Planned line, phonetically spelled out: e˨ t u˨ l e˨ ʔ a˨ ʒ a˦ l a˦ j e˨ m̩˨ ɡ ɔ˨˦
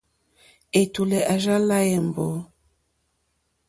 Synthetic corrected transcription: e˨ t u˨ l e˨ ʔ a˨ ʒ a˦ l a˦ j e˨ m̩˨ b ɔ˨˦